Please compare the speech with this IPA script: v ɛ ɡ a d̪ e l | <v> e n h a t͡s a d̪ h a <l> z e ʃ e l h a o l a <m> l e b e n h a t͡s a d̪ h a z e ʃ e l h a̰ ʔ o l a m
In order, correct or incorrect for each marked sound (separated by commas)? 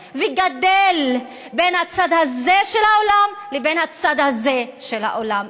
incorrect, incorrect, correct